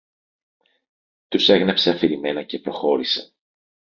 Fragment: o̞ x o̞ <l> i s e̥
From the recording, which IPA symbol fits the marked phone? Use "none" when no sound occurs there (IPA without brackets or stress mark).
ɾ